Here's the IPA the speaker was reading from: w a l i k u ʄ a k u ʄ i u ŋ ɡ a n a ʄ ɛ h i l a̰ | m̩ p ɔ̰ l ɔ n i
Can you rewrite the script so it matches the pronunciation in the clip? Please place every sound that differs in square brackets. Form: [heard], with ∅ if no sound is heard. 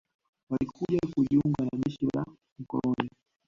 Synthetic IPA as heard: w a l i k u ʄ a k u ʄ i u ŋ ɡ a n a ʄ ɛ [ʃ] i l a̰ | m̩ [k] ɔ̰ l ɔ n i